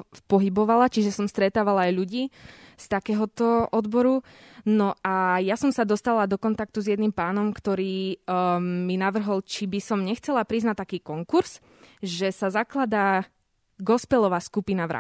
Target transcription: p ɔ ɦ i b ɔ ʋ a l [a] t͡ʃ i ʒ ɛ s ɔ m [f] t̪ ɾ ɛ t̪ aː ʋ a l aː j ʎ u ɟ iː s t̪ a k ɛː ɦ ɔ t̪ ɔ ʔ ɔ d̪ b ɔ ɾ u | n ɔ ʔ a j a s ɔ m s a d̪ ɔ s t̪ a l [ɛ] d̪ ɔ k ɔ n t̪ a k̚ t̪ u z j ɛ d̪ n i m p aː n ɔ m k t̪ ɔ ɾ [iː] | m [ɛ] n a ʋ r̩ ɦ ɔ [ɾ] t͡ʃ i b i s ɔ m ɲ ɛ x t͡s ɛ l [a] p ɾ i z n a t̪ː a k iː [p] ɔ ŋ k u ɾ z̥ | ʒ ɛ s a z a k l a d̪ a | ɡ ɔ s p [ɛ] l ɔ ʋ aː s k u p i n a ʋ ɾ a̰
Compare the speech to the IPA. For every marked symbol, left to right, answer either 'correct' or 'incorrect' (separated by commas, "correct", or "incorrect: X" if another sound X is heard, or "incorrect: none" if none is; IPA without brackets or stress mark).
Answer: correct, incorrect: s, incorrect: a, correct, incorrect: i, incorrect: l, correct, incorrect: k, correct